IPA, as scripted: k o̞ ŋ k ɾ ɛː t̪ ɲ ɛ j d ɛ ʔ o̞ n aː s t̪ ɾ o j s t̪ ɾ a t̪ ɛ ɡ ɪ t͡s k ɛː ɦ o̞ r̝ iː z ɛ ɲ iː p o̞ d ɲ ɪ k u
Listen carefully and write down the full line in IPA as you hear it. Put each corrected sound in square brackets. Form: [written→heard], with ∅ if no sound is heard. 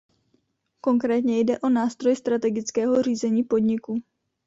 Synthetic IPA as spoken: k o̞ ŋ k ɾ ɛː t̪ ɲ ɛ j d ɛ ʔ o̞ n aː s t̪ ɾ o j s t̪ ɾ a t̪ ɛ ɡ ɪ t͡s k ɛː ɦ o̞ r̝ iː z ɛ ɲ iː p o̞ d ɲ ɪ k u